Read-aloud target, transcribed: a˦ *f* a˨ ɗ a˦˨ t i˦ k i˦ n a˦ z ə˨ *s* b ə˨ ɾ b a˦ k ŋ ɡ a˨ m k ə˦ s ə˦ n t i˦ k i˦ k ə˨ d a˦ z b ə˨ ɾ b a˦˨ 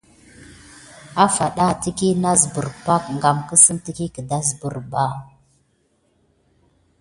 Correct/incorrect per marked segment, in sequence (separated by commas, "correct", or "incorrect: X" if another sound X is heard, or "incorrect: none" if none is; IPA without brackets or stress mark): correct, incorrect: none